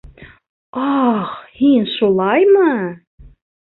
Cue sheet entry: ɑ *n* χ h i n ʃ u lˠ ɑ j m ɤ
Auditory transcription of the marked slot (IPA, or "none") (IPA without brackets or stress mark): none